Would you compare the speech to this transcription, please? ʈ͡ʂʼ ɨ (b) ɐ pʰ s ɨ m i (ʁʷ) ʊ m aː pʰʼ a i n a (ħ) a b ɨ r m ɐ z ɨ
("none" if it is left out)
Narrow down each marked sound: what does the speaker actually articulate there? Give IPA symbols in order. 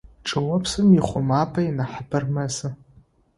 w, χʷ, ħ

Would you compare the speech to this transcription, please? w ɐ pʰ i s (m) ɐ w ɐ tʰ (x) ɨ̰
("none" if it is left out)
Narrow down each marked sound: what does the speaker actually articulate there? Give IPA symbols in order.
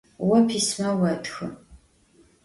m, x

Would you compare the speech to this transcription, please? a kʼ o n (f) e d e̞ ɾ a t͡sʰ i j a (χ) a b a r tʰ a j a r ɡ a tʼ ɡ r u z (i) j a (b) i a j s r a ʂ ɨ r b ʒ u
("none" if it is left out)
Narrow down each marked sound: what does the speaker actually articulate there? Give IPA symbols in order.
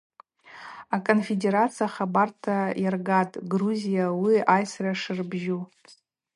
f, χ, i, w

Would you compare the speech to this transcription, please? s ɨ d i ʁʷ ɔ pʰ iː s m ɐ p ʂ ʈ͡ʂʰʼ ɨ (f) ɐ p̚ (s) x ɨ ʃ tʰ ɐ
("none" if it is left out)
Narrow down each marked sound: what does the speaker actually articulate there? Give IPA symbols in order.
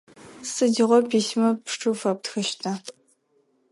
f, t

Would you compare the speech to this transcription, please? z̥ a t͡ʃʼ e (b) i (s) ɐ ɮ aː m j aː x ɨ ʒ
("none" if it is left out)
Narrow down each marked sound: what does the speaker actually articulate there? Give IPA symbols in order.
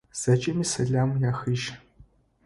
m, s

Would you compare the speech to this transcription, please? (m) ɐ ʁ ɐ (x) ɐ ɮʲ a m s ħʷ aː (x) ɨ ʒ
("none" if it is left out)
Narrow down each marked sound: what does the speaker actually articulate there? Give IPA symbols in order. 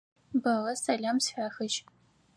b, s, x

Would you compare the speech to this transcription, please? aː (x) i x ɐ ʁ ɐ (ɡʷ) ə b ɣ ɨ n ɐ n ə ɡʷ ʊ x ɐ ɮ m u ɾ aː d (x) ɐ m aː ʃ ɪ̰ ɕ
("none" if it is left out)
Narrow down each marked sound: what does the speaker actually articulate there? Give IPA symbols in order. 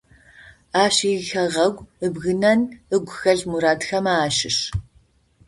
ɕ, ɡʷ, x

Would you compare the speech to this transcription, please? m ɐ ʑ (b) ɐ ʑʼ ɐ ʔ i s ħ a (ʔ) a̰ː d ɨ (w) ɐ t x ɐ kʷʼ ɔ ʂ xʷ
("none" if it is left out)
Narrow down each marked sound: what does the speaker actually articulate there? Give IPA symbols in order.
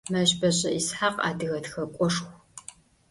b, q, ɣ

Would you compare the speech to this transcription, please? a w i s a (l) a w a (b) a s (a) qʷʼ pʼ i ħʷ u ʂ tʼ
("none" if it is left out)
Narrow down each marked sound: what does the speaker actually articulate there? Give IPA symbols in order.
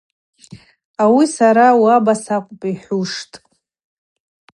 ɾ, b, a

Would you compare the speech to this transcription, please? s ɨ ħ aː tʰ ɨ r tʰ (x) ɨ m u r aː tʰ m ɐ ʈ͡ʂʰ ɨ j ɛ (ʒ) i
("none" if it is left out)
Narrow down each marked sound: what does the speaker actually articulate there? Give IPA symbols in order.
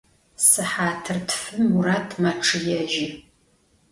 f, ʒ

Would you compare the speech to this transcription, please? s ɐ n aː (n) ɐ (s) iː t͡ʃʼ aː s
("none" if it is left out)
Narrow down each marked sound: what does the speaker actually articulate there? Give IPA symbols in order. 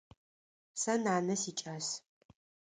n, s

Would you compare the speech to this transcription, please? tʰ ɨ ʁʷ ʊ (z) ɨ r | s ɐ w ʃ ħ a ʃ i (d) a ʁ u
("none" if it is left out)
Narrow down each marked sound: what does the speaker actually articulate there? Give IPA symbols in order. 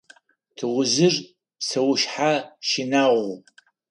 z, n

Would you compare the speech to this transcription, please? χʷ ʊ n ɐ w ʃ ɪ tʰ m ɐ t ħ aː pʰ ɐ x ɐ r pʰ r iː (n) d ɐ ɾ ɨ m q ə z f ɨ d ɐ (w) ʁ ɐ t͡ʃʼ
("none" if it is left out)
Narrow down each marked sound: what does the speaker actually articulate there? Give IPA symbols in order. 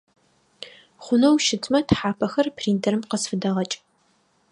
n, none

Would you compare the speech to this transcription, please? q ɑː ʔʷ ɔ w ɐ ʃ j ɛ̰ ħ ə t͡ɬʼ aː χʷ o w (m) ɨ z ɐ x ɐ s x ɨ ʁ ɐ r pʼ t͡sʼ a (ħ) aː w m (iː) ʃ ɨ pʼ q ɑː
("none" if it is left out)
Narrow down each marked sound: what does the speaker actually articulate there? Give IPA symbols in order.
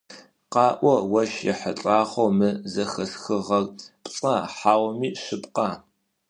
m, ħ, iː

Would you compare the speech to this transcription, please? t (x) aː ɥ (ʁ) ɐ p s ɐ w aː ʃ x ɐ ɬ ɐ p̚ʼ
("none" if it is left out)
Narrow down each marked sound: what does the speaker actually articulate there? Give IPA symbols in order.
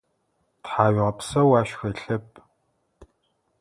ħ, ʁ

